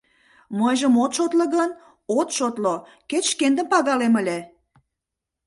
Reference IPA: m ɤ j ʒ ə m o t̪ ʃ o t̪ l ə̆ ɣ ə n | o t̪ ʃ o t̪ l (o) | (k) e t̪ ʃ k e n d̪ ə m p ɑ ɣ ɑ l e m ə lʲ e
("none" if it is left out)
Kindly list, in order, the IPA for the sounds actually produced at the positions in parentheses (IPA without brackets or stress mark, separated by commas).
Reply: o, k